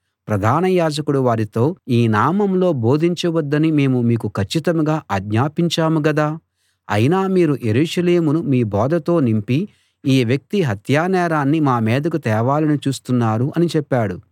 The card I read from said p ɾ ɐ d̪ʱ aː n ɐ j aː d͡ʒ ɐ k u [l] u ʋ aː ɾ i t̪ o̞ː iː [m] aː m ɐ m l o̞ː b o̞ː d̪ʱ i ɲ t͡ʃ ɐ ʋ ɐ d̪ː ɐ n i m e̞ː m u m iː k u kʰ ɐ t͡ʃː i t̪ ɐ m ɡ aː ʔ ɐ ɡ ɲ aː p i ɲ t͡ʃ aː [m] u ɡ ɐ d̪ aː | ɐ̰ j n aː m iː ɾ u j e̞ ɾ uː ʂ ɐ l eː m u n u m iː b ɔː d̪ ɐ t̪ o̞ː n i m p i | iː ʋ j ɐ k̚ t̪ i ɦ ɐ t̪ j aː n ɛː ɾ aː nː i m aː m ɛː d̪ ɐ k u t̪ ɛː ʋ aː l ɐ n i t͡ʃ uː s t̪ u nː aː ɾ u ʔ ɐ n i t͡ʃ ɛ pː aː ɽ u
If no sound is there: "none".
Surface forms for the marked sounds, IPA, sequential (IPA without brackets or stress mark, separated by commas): ɽ, n, m